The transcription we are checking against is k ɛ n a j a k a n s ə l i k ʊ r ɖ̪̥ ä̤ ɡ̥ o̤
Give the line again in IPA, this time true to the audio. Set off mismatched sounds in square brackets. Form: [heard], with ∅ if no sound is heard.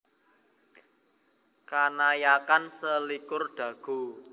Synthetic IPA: k [a] n a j a k a n s ə l i k ʊ r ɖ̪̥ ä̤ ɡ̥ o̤

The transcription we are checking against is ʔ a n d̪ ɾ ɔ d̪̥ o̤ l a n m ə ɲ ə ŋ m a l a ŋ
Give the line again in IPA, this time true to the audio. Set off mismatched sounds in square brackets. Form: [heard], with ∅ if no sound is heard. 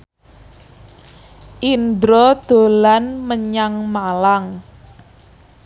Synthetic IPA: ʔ [i] n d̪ ɾ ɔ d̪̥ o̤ l a n m ə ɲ [a] ŋ m a l a ŋ

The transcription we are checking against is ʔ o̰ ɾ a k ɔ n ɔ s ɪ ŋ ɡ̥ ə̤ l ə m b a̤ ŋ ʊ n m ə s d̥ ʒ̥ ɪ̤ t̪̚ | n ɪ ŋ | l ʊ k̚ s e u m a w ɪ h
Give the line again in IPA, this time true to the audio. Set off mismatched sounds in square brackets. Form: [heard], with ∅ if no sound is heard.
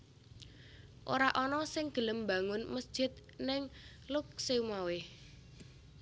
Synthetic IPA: ʔ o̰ ɾ a [ʔ] ɔ n ɔ s ɪ ŋ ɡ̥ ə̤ l ə m b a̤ ŋ ʊ n m ə s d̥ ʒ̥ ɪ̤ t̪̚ | n ɪ ŋ | l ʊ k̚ s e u m a w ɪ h

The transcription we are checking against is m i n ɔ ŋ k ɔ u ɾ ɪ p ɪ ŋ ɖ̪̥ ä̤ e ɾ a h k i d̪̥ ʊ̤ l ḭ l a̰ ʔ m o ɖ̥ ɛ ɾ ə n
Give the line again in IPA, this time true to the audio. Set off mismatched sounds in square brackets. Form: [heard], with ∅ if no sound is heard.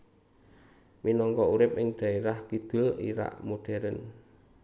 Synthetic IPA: m i n ɔ ŋ k ɔ u ɾ ɪ p ɪ ŋ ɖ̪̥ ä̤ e ɾ a h k i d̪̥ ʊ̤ l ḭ [ɾ] a̰ ʔ m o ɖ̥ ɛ ɾ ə n

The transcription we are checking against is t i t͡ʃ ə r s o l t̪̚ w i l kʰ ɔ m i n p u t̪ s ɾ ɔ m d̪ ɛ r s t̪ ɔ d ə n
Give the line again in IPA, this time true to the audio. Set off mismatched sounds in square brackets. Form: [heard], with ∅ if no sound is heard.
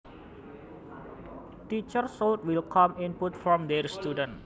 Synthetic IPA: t i t͡ʃ ə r s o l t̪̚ w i l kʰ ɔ m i n p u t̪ [f] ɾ ɔ m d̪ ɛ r s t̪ [u] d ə n

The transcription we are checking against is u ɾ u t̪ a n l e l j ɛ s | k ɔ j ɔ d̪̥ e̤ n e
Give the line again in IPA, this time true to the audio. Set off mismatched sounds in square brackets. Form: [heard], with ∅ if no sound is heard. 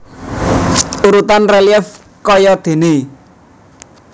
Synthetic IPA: u ɾ u t̪ a n [r] e l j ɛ [f] | k ɔ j ɔ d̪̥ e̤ n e

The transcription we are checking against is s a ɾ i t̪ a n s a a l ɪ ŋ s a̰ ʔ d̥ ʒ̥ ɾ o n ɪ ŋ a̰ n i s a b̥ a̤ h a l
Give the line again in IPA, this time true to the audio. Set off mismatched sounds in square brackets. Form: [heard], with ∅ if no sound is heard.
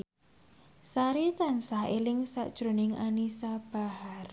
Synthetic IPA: s a ɾ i t̪ a n s a [e] l ɪ ŋ s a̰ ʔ d̥ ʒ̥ ɾ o n ɪ ŋ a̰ n i s a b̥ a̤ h a [r]

